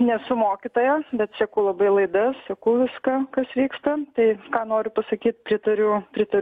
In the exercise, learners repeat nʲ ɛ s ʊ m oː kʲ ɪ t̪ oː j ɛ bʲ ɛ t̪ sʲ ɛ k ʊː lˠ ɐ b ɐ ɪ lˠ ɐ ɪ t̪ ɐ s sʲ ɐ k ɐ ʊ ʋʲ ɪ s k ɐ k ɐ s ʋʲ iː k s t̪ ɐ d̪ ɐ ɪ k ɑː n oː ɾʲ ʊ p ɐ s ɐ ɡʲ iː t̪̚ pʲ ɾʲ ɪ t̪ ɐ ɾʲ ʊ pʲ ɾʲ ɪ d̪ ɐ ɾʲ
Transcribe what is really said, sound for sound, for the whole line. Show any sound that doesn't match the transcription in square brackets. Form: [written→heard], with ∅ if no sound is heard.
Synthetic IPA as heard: nʲ ɛ s ʊ m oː kʲ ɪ t̪ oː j ɛ bʲ ɛ t̪ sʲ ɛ k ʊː lˠ ɐ b ɐ ɪ lˠ ɐ ɪ [t̪→d̪] ɐ s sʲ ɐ k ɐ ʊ ʋʲ ɪ s k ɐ k ɐ s ʋʲ iː k s t̪ ɐ [d̪→t̪] ɐ ɪ k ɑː n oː ɾʲ ʊ p ɐ s ɐ [ɡʲ→kʲ] iː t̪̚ pʲ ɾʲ ɪ t̪ ɐ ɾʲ ʊ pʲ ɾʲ ɪ [d̪→t̪] ɐ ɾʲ